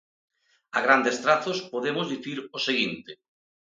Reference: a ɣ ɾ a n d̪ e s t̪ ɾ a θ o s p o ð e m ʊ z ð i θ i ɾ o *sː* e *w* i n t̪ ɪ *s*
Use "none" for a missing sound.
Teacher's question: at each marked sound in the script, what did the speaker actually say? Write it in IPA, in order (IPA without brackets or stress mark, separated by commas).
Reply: s, ɣ, none